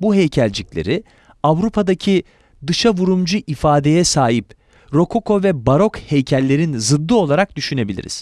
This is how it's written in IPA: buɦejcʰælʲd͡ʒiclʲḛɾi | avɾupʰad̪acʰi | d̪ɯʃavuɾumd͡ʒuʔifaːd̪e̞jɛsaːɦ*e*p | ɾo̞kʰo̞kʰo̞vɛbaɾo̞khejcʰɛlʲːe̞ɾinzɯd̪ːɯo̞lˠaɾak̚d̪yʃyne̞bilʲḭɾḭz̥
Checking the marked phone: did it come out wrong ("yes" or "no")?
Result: yes